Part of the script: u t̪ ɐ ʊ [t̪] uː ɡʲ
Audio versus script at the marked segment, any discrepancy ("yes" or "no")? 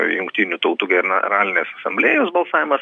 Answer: no